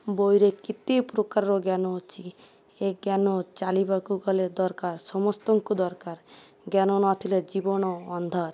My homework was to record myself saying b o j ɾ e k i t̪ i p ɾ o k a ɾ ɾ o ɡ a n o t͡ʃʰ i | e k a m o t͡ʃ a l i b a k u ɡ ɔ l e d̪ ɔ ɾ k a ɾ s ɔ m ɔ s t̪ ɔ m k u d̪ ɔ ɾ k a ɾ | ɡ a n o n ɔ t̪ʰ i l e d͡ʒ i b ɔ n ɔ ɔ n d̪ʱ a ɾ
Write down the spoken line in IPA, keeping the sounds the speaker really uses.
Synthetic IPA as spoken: b o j ɾ e k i t̪ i p ɾ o k a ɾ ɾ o ɡ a n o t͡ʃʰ i | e ɡ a n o t͡ʃ a l i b a k u ɡ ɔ l e d̪ ɔ ɾ k a ɾ s ɔ m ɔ s t̪ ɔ ŋ k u d̪ ɔ ɾ k a ɾ | ɡ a n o n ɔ t̪ʰ i l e d͡ʒ i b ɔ n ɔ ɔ n d̪ʱ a ɾ